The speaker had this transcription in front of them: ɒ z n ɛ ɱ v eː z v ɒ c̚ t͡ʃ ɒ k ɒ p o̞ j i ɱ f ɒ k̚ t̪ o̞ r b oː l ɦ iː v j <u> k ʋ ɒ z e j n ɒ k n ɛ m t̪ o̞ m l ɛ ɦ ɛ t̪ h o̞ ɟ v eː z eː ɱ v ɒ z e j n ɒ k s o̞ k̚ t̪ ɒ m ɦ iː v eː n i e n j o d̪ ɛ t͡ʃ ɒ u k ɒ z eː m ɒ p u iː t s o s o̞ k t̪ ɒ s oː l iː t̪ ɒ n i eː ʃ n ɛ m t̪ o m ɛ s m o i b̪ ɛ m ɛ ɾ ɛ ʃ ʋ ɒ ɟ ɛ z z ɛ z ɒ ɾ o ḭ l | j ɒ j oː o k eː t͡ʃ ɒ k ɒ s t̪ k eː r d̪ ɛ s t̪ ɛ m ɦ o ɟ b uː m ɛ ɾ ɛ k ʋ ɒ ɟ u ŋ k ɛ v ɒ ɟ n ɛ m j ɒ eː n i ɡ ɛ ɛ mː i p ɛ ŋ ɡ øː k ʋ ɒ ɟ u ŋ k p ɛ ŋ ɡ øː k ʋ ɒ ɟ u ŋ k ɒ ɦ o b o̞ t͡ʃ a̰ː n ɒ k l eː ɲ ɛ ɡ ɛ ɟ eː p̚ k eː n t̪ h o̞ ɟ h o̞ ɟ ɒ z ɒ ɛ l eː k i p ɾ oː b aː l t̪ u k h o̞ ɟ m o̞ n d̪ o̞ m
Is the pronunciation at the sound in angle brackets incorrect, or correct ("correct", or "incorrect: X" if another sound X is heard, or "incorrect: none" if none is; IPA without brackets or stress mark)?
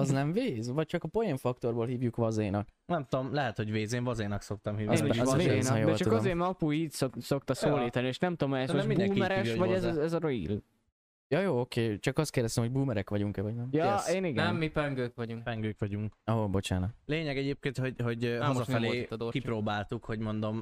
correct